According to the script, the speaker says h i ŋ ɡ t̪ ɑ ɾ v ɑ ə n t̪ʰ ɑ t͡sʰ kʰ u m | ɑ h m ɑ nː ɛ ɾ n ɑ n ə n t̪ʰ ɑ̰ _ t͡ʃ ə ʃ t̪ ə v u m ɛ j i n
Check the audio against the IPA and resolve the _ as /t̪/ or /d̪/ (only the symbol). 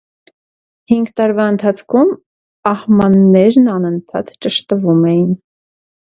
t̪